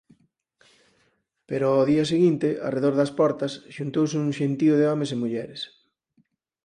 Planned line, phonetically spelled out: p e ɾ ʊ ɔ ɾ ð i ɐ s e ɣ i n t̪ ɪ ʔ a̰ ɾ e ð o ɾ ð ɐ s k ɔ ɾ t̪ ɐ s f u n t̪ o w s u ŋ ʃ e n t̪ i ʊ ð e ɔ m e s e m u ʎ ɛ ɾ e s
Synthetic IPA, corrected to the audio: p e ɾ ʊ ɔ ð i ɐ s e ɣ i n t̪ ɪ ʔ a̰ r e ð o ɾ ð ɐ s p ɔ ɾ t̪ ɐ s ʃ u n t̪ o w s u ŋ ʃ e n t̪ i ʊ ð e ɔ m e s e m u ʎ ɛ ɾ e s